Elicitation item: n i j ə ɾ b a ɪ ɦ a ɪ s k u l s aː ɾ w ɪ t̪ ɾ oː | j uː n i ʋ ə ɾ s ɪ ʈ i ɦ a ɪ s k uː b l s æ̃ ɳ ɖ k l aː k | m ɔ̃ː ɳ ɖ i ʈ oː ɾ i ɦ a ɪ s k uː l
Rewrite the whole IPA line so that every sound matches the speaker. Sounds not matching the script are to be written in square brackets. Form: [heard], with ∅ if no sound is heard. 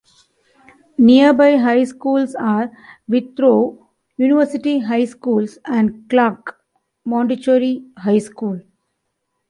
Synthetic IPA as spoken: n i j ə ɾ b a ɪ ɦ a ɪ s k [uː] l s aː ɾ [ʋ] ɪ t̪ ɾ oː | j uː n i ʋ ə ɾ s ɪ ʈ i ɦ a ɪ s k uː [∅] l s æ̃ ɳ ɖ k l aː k | m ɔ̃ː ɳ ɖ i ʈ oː ɾ i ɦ a ɪ s k uː l